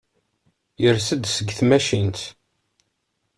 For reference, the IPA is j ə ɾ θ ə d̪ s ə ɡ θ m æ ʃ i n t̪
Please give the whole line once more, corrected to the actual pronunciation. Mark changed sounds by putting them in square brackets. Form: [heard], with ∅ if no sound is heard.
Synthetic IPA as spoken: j ə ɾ [s] ə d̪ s ə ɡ θ m æ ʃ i n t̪

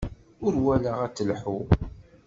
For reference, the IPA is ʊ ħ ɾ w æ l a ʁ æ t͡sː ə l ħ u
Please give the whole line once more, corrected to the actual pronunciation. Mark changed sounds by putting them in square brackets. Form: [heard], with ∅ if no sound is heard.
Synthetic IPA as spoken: ʊ [∅] ɾ w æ l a ʁ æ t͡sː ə l ħ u

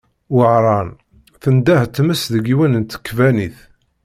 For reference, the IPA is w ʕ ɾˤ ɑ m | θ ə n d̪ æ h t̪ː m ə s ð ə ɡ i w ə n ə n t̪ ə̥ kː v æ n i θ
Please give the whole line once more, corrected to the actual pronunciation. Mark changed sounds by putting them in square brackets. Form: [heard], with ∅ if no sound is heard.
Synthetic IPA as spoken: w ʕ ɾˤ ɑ [n] | θ ə n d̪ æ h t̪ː m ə s ð ə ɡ i w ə n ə n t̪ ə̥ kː v æ n i θ

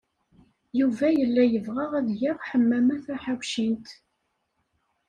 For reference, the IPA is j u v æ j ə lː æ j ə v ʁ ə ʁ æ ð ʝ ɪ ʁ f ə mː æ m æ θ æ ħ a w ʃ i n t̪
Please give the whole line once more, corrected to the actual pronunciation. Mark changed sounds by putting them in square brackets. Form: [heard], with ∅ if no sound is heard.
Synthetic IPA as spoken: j u v æ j ə lː æ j ə v ʁ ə ʁ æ ð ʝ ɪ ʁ [ħ] ə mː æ m æ θ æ ħ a w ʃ i n t̪

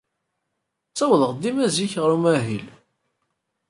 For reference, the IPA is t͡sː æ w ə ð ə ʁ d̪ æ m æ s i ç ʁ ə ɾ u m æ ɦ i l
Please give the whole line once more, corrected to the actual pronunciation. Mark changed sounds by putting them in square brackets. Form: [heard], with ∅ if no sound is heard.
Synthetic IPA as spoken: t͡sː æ w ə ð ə ʁ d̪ [i] m æ [z] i ç ʁ ə ɾ u m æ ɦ i l

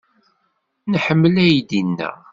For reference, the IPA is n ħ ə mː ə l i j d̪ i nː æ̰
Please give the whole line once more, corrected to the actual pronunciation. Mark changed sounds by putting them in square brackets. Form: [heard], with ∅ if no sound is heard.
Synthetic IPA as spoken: n ħ ə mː ə l [æ] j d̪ i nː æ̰

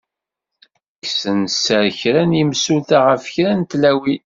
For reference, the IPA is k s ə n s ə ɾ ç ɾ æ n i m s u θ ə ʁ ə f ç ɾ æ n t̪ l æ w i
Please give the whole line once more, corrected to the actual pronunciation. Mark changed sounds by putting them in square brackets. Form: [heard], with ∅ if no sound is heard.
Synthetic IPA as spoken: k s ə n s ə ɾ ç ɾ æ n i m s u θ [a] ʁ ə f ç ɾ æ n t̪ l æ w i

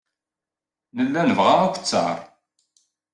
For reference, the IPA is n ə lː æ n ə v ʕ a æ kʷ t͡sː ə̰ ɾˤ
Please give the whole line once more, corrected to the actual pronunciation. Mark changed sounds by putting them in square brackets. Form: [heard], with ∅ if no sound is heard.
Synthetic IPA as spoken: n ə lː æ n ə v [ʁ] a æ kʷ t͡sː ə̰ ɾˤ

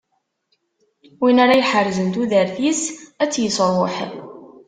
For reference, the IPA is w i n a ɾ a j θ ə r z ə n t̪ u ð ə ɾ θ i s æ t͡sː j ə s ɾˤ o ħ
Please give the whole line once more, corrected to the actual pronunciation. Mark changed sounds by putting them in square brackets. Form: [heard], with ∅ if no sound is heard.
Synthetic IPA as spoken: w i n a ɾ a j [ħ] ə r z ə n t̪ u ð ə ɾ θ i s æ t͡sː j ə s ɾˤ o ħ

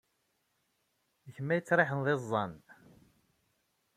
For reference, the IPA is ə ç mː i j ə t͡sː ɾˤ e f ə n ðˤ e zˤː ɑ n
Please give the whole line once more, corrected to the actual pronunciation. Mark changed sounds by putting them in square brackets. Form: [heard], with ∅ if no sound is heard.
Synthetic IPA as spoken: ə ç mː [æ] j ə t͡sː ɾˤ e [ħ] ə n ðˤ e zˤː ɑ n

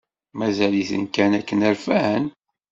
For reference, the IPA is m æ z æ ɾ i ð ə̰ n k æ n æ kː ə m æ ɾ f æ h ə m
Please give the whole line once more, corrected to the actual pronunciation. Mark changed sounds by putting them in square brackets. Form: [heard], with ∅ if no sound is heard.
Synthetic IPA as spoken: m æ z æ [l] i [θ] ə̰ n k æ n æ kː ə [n] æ ɾ f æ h ə [n]

